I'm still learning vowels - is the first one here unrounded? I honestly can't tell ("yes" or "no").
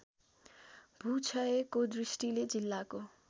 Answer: no